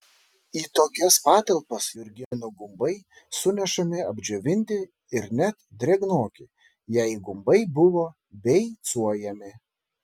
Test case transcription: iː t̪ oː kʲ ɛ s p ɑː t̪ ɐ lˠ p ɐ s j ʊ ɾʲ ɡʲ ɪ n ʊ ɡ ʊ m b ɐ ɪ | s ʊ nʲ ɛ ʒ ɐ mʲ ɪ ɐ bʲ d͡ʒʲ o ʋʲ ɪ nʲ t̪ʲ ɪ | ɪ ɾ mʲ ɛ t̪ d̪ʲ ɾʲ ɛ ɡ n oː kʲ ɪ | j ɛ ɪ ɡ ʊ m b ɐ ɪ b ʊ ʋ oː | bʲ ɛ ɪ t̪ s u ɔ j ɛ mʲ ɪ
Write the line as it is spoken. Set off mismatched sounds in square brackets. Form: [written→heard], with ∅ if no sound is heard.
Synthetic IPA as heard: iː t̪ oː kʲ ɛ s p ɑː t̪ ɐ lˠ p ɐ s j ʊ ɾʲ ɡʲ ɪ n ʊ ɡ ʊ m b ɐ ɪ | s ʊ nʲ ɛ [ʒ→ʃ] ɐ mʲ ɪ ɐ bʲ d͡ʒʲ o ʋʲ ɪ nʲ t̪ʲ ɪ | ɪ ɾ [mʲ→nʲ] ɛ t̪ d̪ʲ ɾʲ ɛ ɡ n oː kʲ ɪ | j ɛ ɪ ɡ ʊ m b ɐ ɪ b ʊ ʋ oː | bʲ ɛ ɪ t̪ s u ɔ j ɛ mʲ ɪ